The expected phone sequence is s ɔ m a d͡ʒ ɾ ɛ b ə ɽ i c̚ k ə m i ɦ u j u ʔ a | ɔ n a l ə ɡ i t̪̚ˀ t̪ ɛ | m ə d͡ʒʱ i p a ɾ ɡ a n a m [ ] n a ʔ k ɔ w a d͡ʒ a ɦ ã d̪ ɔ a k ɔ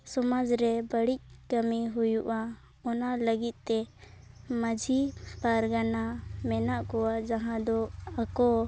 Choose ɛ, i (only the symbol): ɛ